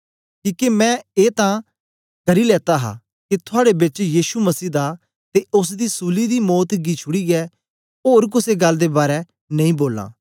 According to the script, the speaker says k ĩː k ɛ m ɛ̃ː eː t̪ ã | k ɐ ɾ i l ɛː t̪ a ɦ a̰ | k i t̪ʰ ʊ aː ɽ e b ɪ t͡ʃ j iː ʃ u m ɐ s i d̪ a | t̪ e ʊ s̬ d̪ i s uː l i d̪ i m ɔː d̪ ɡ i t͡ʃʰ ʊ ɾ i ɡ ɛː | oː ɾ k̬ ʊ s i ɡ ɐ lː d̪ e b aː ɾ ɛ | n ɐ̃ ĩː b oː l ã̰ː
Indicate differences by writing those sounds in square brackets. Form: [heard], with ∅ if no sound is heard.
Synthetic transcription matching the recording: k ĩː k [e] m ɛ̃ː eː t̪ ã | k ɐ ɾ i l ɛː t̪ a ɦ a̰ | k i t̪ʰ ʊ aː ɽ e b ɪ t͡ʃ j iː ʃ u m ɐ s [iː] d̪ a | t̪ e ʊ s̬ d̪ i s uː l i d̪ i m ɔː [t̪] ɡ i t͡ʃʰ ʊ [ɽ] i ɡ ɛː | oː ɾ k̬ ʊ s [e] ɡ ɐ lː d̪ e b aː ɾ ɛ | n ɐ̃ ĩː b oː l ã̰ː